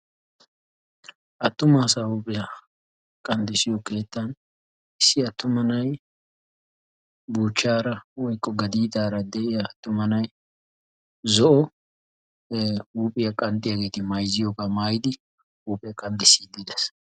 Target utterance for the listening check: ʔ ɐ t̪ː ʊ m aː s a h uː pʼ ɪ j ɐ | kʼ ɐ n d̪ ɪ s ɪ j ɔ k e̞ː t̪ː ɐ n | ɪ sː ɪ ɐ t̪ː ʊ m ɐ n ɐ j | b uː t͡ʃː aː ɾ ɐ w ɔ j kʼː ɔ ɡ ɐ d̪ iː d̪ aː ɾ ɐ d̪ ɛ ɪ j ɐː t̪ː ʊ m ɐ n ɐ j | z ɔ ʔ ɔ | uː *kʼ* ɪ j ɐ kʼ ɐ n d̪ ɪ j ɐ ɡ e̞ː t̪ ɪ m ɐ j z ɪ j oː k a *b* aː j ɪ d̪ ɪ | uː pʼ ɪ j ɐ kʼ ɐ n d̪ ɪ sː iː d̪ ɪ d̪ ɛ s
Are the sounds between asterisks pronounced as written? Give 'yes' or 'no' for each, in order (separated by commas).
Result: no, no